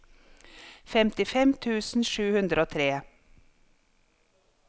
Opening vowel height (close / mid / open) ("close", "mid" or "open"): mid